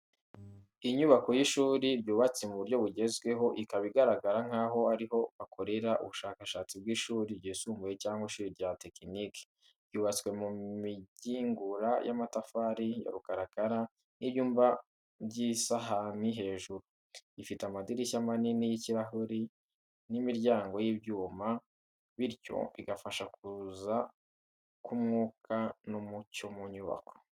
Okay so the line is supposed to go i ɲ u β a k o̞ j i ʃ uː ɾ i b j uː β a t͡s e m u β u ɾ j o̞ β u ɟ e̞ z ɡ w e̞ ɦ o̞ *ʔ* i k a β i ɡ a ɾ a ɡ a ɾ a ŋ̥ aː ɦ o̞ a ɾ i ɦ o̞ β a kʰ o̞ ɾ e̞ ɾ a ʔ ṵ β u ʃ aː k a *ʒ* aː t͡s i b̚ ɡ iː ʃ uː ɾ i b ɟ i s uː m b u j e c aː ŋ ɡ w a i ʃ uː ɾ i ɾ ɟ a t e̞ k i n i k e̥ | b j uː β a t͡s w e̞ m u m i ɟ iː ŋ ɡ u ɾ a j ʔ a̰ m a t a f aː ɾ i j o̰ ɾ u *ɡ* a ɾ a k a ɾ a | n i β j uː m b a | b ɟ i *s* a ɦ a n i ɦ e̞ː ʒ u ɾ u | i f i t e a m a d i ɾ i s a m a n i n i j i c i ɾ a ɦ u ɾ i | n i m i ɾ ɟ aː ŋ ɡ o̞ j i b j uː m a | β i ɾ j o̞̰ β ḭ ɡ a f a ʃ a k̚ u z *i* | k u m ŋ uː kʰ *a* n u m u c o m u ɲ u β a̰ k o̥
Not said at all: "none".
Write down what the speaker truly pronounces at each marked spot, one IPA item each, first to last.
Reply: ʔ, ʃ, k, s, a, a

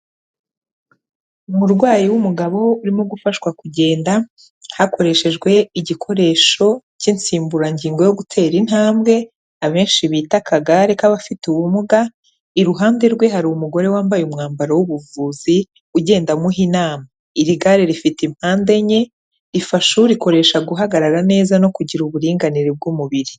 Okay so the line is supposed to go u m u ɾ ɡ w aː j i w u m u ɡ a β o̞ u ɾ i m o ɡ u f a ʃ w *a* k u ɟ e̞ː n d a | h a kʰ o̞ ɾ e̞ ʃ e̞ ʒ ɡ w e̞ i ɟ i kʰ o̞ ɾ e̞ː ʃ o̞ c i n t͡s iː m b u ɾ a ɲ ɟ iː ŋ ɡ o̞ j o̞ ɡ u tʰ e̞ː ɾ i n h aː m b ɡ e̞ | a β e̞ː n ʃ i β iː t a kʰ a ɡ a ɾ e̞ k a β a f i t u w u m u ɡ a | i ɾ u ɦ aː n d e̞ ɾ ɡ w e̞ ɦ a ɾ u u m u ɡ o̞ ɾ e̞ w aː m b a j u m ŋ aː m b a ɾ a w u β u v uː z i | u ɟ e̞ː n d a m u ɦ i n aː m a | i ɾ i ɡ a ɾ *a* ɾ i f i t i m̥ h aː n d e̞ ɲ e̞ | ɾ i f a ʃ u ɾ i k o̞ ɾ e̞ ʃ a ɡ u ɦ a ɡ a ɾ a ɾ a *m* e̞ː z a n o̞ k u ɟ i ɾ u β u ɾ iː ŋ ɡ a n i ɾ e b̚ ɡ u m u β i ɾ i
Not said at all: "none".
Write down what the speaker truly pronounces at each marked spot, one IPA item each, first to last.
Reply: a, e, n

